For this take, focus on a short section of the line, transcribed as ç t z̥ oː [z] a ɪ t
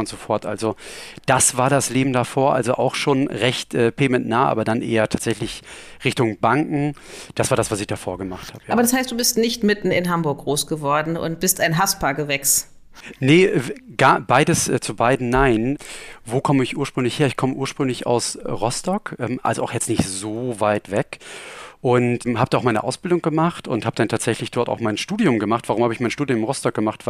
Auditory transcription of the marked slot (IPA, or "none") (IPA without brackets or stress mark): v